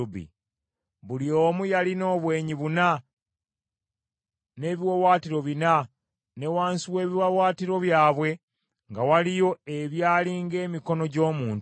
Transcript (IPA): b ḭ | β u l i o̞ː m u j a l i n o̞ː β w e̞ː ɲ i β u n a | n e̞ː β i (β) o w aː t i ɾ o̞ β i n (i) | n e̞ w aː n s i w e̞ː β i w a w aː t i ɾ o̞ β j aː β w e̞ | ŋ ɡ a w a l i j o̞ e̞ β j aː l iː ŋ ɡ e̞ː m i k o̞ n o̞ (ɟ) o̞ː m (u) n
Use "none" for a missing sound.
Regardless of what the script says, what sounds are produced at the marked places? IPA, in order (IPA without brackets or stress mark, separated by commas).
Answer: w, a, ɟ, uː